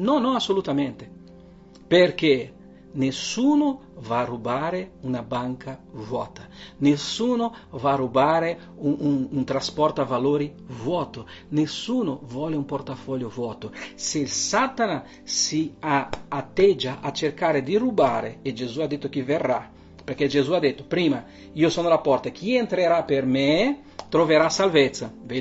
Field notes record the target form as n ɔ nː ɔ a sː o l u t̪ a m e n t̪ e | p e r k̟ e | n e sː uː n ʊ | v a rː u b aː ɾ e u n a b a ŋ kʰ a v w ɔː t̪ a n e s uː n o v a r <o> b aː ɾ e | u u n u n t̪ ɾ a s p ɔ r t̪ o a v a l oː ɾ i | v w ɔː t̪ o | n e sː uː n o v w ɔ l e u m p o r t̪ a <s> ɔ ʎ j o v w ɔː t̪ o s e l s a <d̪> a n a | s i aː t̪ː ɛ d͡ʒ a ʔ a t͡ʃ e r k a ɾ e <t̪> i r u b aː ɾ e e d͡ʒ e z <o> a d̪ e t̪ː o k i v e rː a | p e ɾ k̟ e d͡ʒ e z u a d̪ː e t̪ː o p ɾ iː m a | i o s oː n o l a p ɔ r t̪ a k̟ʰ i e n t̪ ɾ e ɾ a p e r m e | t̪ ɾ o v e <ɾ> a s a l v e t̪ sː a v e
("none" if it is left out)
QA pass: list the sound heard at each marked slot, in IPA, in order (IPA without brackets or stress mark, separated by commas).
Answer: u, f, t̪, d̪, u, ɾ